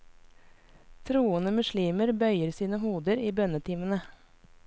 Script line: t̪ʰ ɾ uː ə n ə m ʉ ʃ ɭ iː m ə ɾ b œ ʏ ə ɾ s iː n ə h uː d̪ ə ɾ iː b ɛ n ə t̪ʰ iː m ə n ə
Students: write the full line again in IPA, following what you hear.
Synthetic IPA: t̪ʰ ɾ uː ə n ə m ʉ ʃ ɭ iː m ə ɾ b œ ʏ ə ɾ s iː n ə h uː d̪ ə ɾ iː b œ n ə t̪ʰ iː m ə n ə